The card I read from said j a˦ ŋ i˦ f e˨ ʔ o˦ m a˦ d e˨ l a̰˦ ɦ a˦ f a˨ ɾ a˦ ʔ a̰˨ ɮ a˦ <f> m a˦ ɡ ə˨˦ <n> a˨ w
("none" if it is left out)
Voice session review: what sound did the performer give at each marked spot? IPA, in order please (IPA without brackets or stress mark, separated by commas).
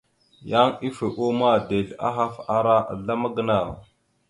none, n